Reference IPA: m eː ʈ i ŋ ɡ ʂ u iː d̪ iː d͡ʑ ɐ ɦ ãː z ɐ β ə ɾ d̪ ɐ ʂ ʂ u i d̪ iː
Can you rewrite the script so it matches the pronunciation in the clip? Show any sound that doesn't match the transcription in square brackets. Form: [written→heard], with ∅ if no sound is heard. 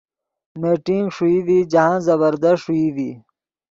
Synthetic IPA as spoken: m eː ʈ i ŋ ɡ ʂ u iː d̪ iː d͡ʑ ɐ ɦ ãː z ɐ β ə ɾ d̪ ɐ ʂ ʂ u i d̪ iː